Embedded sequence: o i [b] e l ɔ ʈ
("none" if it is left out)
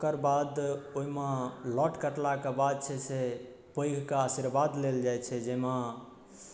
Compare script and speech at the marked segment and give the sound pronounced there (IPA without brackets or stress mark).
m